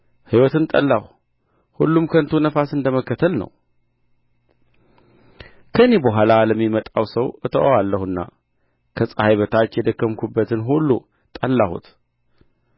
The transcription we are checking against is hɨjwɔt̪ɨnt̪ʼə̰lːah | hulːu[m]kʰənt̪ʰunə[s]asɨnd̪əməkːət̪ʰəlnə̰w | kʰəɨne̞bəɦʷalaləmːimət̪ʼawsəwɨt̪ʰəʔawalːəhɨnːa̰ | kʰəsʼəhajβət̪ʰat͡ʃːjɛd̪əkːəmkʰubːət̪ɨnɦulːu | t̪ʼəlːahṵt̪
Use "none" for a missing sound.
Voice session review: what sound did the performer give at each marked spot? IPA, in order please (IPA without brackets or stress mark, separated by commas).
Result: m, f